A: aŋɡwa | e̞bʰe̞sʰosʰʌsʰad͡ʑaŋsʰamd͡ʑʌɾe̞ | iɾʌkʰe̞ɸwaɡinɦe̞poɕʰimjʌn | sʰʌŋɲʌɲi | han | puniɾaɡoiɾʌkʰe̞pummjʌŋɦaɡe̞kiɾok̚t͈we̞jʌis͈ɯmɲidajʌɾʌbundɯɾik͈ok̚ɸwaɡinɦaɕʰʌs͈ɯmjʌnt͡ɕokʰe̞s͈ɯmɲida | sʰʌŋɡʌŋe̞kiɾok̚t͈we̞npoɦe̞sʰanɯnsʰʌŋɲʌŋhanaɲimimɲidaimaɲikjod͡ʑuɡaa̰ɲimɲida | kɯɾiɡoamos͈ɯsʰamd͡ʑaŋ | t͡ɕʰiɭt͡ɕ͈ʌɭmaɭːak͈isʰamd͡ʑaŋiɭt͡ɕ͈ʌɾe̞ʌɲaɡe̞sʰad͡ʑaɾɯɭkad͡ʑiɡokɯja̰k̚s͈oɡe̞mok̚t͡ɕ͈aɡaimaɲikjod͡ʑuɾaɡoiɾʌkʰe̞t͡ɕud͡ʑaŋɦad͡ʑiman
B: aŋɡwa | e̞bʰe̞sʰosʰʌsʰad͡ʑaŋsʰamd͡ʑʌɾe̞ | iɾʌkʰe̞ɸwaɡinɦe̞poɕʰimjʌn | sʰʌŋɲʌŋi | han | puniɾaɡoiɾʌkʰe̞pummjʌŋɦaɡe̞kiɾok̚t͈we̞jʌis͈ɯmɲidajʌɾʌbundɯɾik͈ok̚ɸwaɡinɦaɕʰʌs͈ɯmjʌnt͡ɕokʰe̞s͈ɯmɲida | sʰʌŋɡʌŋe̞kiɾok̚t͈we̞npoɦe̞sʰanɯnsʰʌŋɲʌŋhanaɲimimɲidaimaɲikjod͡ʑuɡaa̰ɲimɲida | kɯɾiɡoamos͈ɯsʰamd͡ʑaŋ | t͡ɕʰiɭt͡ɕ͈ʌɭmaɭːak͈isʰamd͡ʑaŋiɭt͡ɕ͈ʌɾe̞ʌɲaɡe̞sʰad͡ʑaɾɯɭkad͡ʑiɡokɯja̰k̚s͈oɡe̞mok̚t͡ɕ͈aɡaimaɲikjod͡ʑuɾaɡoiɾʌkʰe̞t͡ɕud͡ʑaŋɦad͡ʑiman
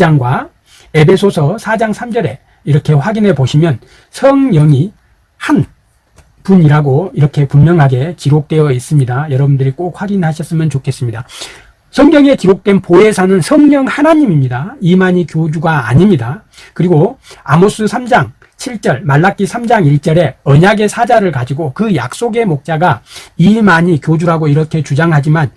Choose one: B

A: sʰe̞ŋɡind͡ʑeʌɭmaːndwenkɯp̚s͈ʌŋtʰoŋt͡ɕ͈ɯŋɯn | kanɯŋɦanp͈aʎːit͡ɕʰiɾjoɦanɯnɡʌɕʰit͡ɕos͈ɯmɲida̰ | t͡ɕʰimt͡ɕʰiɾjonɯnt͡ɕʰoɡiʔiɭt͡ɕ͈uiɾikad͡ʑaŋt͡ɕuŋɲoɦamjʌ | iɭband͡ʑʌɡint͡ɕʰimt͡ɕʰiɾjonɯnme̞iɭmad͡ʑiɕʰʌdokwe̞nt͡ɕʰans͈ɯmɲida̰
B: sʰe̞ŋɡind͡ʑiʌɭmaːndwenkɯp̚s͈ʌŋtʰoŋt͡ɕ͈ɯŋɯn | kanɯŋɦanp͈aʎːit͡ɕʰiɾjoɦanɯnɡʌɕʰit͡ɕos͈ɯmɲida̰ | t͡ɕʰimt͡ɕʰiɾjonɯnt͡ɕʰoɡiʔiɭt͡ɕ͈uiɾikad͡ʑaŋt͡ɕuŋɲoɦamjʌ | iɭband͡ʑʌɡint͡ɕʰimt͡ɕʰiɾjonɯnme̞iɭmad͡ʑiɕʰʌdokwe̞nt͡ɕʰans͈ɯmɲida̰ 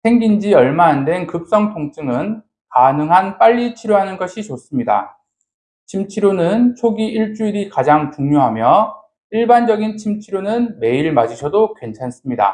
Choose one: B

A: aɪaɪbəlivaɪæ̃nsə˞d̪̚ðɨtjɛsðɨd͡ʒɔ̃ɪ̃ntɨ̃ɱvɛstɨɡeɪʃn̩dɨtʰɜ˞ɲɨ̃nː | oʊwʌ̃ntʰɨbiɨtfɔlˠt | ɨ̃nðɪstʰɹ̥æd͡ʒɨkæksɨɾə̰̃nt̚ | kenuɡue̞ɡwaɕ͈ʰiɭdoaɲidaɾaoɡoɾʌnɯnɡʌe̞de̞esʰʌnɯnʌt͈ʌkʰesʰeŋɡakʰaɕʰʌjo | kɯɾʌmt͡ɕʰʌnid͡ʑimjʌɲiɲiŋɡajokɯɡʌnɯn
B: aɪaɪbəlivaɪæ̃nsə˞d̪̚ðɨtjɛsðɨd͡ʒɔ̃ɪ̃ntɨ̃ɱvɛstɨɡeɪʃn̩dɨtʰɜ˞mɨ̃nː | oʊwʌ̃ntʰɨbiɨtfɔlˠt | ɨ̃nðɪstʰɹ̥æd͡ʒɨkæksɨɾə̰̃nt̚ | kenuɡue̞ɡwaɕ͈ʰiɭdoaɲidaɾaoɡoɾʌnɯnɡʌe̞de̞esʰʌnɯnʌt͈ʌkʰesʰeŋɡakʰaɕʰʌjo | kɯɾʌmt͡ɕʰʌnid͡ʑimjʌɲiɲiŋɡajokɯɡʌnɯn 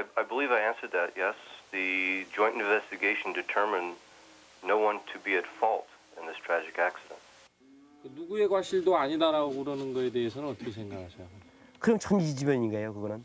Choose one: B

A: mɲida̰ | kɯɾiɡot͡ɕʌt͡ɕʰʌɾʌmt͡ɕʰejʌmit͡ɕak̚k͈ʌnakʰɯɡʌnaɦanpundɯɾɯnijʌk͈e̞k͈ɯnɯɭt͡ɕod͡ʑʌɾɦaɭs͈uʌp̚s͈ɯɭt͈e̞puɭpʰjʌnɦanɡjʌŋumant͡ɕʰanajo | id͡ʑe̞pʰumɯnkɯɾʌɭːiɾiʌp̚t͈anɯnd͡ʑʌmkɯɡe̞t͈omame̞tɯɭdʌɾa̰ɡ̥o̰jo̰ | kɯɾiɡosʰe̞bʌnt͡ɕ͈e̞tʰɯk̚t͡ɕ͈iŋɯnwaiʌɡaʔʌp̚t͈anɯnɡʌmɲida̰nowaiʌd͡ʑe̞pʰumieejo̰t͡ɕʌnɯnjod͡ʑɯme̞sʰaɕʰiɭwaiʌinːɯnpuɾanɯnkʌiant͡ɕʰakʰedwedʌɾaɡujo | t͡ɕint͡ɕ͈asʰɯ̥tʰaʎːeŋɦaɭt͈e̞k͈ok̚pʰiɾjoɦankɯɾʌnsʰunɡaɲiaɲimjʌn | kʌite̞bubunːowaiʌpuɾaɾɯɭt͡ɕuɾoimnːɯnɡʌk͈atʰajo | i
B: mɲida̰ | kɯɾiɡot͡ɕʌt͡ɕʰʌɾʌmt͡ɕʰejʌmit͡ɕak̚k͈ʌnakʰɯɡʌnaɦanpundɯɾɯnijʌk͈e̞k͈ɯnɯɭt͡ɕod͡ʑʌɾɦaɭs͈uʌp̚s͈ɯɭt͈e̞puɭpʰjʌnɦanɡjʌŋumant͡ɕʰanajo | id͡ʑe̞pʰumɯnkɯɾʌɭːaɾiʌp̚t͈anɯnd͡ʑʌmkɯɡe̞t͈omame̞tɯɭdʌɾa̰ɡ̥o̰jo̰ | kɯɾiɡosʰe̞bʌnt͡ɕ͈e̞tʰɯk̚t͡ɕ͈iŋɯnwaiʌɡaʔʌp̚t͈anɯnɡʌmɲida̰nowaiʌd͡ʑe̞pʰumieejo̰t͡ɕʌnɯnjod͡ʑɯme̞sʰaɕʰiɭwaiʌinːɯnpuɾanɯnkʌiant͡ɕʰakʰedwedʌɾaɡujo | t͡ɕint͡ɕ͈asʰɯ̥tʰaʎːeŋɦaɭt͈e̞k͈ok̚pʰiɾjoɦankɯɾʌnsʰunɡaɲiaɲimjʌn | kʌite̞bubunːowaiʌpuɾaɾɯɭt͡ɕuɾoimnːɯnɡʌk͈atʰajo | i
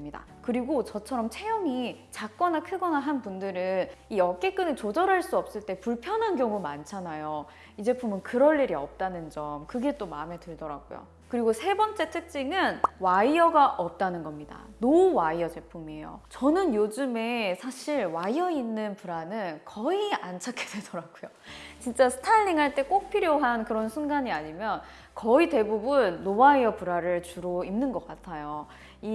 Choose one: A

